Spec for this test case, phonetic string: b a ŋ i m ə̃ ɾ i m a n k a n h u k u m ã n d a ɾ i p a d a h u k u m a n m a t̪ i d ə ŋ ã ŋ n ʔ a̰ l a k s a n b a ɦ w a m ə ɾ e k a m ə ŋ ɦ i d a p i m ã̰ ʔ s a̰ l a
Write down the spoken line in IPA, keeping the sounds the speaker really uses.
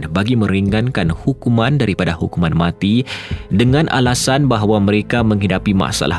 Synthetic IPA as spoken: b a ɡ i m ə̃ ɾ i ŋ a n k a n h u k u m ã n d a ɾ i p a d a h u k u m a n m a t̪ i d ə ŋ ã n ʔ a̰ l a s a n b a ɦ w a m ə ɾ e k a m ə ŋ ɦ i d a p i m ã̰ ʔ s a̰ l a